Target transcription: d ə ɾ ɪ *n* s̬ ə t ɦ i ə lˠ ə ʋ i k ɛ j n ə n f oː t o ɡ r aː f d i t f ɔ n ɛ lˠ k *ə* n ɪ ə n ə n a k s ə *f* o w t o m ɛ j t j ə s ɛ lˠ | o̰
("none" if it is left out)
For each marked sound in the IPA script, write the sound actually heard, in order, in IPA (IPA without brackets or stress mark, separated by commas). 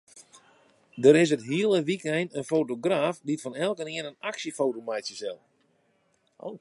none, ə, f